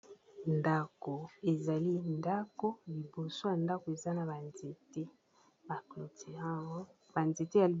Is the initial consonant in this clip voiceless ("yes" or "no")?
no